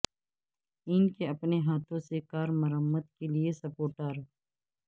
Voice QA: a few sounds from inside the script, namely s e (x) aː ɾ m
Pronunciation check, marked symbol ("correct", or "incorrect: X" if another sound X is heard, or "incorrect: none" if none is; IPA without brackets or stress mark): incorrect: k